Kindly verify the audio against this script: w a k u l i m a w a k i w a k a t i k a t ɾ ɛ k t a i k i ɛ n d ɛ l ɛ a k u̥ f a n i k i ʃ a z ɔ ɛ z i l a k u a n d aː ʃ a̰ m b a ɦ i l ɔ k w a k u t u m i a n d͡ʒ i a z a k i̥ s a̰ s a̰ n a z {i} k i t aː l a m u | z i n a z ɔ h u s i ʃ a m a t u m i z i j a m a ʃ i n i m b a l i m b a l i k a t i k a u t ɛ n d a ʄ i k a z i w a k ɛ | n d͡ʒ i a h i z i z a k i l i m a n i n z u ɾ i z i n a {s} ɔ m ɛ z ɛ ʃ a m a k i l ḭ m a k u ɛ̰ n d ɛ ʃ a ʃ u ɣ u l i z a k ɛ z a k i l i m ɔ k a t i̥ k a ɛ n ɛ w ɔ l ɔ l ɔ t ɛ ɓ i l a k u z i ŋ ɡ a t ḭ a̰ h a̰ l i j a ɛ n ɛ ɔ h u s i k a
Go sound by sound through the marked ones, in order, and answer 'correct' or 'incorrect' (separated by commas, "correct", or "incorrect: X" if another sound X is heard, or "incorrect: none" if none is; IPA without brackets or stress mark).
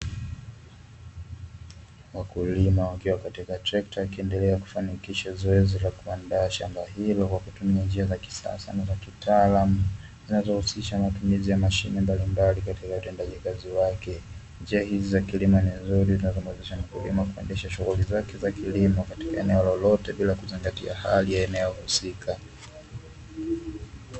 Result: incorrect: a, incorrect: z